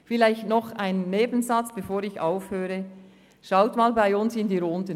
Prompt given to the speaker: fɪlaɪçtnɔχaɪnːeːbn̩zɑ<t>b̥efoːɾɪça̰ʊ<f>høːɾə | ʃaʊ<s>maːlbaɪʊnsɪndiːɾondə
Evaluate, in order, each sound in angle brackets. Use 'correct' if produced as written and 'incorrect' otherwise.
incorrect: t͡s, correct, incorrect: t

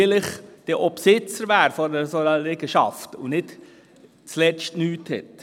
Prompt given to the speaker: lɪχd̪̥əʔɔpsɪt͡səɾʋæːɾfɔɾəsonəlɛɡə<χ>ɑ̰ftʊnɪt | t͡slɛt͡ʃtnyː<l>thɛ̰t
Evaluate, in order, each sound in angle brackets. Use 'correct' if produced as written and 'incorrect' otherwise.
incorrect: ʃ, incorrect: none

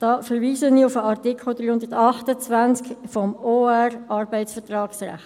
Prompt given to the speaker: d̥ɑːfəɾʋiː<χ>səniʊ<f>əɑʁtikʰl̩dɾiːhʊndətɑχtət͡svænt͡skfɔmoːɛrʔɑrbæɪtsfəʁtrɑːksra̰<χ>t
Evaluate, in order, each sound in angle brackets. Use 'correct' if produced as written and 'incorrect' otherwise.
incorrect: none, correct, correct

